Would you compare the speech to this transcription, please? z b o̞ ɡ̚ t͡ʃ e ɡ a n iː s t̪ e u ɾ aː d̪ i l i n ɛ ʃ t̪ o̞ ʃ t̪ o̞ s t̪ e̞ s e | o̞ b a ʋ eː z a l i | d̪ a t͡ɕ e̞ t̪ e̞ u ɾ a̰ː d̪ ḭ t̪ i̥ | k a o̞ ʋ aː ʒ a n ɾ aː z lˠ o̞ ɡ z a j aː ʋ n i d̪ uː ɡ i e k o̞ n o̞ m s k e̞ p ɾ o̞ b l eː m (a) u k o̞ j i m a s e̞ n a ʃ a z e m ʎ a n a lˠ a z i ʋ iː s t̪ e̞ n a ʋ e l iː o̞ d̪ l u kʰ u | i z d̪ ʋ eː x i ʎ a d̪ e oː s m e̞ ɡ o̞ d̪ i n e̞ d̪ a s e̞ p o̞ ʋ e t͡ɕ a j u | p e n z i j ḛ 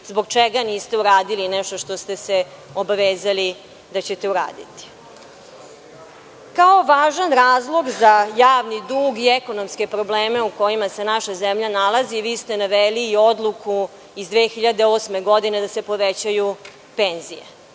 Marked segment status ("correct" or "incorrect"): incorrect